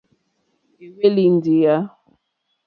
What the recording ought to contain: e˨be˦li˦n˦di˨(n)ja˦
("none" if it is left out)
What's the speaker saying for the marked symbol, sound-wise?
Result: none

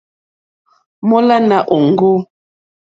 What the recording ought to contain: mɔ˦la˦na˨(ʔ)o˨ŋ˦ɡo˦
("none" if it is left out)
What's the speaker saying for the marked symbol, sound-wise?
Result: ʔ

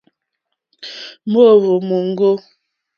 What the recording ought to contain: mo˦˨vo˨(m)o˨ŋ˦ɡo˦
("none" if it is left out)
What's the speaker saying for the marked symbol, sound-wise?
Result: m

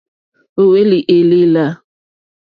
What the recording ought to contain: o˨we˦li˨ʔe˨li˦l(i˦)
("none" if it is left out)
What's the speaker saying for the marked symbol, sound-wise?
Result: a˦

